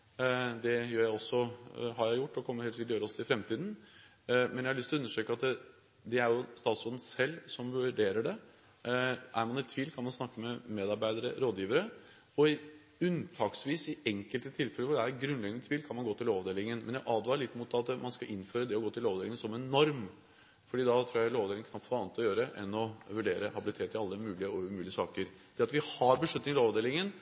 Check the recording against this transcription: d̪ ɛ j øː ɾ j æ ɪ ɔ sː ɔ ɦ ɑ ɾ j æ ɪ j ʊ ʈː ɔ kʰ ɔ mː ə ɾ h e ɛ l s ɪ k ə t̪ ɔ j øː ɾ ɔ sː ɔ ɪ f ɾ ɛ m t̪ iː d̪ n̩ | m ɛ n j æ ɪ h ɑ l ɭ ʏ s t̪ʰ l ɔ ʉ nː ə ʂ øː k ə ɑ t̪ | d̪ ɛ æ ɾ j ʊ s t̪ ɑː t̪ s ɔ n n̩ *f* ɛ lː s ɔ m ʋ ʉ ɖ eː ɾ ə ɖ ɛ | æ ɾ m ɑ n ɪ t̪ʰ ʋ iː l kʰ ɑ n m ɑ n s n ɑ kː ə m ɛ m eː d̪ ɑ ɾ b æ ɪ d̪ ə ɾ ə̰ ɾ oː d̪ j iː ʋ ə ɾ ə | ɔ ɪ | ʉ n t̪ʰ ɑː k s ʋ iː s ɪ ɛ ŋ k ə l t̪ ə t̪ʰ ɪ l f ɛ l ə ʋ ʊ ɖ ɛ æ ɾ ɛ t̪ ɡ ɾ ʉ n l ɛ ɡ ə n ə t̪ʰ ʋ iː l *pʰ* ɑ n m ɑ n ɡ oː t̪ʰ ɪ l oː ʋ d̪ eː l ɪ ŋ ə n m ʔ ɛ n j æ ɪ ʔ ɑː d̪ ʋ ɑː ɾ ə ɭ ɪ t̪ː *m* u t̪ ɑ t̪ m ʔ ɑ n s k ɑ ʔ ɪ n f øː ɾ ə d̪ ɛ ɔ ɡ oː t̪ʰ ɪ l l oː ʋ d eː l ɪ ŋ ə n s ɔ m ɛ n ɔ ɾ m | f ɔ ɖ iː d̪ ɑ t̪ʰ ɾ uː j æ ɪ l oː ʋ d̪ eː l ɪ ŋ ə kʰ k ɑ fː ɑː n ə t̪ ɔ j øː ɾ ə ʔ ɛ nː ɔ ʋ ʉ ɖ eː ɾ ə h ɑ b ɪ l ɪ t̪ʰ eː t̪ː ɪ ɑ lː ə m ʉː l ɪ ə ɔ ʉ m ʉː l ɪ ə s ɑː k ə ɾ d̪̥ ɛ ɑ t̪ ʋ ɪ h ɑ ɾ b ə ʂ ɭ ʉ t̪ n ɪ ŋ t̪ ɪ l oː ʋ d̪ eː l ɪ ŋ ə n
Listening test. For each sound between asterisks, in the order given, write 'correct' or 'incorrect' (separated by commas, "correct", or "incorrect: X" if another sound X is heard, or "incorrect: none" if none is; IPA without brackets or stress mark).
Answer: incorrect: s, incorrect: kʰ, correct